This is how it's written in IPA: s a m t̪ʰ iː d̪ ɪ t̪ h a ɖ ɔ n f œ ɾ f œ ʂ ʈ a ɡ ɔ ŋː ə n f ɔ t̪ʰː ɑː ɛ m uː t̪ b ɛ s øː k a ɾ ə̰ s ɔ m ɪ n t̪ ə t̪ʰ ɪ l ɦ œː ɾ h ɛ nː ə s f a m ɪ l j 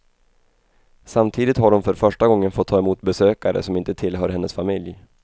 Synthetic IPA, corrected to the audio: s a m t̪ʰ iː d̪ ɪ t̪ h a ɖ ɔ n f œ ɾ f œ ʂ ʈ a ɡ ɔ ŋː ə n f ɔ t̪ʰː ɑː ɛ m uː t̪ b ɛ s øː k a ɾ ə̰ s ɔ m ɪ n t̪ ə t̪ʰ ɪ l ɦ œː ɾ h ɛ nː ə s f a m ɪ l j